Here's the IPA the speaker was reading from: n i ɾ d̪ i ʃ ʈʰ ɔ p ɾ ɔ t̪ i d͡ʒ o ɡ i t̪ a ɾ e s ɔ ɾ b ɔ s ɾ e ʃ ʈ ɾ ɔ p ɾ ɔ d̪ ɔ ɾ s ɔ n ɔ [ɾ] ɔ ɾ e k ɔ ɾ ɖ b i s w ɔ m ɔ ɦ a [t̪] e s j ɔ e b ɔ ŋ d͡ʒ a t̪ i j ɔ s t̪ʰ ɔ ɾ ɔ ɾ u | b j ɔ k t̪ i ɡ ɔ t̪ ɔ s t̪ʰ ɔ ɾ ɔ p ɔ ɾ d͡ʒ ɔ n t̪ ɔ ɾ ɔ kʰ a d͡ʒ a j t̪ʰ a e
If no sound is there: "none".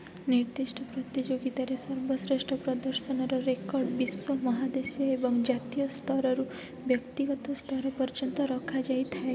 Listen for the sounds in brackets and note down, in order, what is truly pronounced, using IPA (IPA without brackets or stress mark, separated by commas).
ɾ, d̪